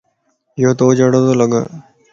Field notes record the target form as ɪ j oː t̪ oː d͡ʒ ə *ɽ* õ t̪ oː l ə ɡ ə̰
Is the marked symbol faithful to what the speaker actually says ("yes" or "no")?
yes